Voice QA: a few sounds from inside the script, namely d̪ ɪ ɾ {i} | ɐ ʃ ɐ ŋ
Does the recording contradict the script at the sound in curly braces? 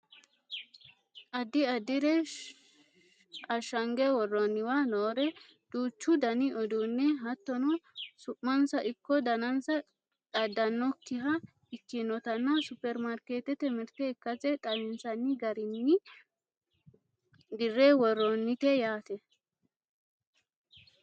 yes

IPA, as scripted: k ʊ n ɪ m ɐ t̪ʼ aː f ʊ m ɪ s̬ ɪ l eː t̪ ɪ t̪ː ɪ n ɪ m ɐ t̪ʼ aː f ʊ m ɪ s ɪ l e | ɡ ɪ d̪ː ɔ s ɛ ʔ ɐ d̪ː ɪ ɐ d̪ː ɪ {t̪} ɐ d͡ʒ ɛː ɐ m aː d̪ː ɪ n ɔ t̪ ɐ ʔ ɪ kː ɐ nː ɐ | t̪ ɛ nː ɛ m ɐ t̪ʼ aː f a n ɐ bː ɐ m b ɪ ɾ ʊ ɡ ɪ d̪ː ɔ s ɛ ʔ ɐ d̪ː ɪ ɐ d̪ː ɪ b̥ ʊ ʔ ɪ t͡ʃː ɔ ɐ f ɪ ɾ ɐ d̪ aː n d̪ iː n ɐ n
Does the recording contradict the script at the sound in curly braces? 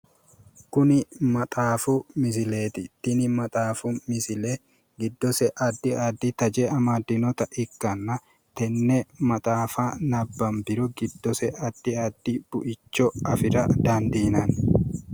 no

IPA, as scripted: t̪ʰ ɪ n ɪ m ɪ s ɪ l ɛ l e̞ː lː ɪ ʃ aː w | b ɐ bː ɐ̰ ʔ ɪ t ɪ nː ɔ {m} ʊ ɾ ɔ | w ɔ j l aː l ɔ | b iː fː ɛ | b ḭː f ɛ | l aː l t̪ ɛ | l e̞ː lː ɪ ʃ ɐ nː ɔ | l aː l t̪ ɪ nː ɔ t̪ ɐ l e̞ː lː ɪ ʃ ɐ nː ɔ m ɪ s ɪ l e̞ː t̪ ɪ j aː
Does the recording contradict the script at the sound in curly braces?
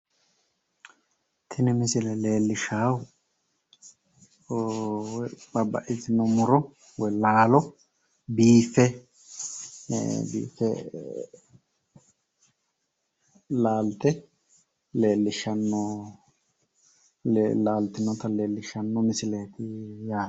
no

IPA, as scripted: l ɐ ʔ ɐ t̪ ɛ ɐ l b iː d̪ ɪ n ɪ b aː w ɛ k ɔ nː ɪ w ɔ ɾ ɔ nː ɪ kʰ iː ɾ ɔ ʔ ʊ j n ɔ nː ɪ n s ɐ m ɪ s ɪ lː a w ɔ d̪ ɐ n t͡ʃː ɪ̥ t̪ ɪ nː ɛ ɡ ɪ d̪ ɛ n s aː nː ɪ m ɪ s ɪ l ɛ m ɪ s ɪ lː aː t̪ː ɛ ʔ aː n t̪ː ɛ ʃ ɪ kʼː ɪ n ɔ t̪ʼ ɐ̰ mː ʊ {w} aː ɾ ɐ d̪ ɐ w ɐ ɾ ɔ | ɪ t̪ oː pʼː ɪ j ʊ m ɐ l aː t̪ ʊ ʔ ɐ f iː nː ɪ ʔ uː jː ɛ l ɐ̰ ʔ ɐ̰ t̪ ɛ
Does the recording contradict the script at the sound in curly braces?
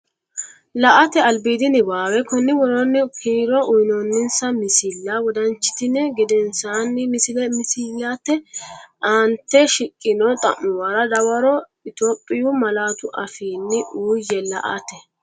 no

